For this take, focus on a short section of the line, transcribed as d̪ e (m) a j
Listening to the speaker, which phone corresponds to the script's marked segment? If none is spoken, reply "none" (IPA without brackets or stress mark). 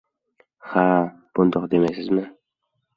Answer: m